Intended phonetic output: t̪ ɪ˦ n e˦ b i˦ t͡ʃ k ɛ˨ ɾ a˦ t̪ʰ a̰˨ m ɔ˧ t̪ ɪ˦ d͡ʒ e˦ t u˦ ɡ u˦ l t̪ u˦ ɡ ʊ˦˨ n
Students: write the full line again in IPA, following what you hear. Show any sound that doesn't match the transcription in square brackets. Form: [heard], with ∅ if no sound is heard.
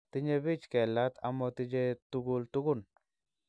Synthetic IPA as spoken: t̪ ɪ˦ [ɲ] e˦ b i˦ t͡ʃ k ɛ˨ [l] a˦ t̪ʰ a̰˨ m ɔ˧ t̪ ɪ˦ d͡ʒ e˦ t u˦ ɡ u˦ l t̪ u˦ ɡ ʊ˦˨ n